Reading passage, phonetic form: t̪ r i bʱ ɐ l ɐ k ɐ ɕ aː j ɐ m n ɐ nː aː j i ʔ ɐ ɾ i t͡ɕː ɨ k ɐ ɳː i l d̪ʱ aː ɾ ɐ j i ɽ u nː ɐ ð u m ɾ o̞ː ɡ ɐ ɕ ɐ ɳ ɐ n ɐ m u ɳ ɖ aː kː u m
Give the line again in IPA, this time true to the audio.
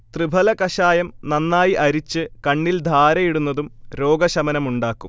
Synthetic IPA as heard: t̪ r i bʱ ɐ l ɐ k ɐ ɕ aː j ɐ m n ɐ nː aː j i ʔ ɐ ɾ i t͡ɕː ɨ k ɐ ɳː i l d̪ʱ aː ɾ ɐ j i ɽ u nː ɐ ð u m ɾ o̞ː ɡ ɐ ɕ ɐ m ɐ n ɐ m u ɳ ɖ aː kː u m